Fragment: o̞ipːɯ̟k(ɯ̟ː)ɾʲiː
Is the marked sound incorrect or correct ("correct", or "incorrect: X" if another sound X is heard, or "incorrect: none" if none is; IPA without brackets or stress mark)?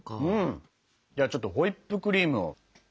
incorrect: ɯ̟